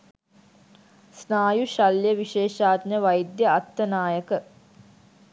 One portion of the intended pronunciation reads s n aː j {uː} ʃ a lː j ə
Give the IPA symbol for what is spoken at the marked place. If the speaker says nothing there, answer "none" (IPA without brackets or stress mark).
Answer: u